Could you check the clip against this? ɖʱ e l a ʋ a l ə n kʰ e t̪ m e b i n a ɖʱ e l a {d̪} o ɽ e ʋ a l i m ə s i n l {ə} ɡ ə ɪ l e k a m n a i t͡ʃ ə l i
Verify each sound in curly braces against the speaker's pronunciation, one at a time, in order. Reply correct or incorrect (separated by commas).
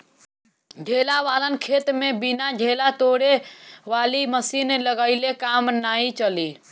incorrect, correct